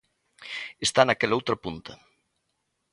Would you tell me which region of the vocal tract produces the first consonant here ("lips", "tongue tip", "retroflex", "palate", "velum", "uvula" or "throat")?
tongue tip